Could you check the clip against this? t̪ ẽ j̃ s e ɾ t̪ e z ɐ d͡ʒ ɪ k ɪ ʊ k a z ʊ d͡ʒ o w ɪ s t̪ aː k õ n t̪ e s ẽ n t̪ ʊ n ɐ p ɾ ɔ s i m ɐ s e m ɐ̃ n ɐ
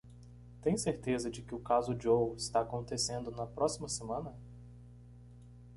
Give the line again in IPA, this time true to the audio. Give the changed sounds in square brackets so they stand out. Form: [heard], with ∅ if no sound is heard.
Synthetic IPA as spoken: t̪ ẽ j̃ s e ɾ t̪ e z ɐ d͡ʒ ɪ k ɪ ʊ k a z ʊ d͡ʒ o w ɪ s t̪ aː k õ n t̪ e s ẽ n [d̪] ʊ n ɐ p ɾ ɔ s i m ɐ s e m ɐ̃ n ɐ